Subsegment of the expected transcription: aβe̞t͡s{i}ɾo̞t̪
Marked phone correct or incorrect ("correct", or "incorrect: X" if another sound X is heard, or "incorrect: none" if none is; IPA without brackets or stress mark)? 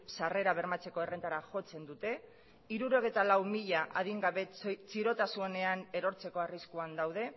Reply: correct